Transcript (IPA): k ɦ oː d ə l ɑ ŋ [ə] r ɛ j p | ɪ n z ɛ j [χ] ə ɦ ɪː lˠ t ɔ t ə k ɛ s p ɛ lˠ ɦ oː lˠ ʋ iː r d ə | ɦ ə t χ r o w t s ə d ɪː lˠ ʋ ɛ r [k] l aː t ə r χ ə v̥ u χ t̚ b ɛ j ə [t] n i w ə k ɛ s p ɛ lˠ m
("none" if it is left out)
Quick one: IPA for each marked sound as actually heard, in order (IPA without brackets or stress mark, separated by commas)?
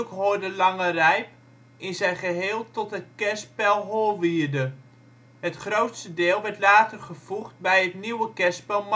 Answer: ə, χ, t, t